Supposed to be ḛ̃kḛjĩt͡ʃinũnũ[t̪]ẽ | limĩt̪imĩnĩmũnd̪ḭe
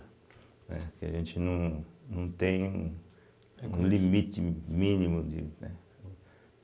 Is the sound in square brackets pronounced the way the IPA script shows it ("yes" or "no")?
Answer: yes